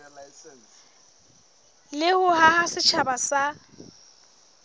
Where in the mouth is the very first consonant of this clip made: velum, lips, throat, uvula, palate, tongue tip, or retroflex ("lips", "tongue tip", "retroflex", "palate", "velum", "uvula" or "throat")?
tongue tip